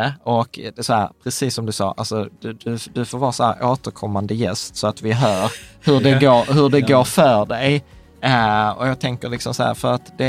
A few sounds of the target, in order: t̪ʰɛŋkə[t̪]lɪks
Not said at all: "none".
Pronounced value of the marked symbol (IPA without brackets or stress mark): none